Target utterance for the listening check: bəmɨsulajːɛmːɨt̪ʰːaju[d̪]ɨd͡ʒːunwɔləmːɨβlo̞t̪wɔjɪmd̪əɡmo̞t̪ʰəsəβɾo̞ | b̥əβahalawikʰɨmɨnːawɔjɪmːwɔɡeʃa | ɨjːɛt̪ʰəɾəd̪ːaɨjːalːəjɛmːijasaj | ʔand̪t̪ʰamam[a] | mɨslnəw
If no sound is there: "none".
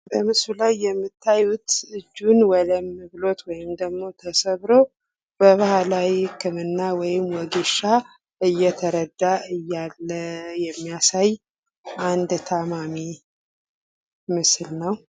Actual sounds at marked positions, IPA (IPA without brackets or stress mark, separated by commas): t̪, i